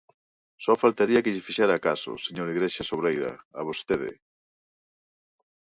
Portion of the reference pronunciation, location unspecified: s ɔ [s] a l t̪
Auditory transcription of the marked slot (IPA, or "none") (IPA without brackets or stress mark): f